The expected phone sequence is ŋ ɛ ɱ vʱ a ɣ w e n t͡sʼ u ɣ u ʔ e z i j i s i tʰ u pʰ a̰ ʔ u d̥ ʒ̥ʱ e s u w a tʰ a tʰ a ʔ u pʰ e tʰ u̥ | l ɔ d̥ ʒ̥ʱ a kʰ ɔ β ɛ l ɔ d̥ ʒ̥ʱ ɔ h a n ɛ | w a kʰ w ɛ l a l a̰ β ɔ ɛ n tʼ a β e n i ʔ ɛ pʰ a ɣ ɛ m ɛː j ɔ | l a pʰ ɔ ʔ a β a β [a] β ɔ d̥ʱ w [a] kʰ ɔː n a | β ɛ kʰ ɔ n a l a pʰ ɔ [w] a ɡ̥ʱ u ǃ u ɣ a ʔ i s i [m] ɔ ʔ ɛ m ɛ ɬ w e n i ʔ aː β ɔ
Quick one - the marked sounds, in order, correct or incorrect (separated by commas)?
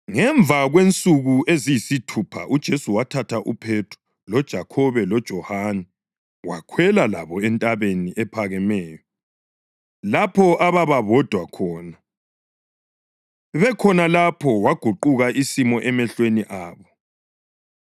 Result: correct, correct, correct, correct